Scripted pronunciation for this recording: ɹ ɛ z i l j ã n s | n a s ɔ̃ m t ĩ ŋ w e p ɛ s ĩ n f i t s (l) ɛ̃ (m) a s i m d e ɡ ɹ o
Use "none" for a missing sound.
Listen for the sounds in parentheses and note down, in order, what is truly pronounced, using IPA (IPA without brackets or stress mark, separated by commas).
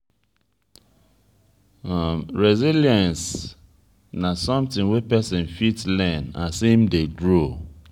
l, n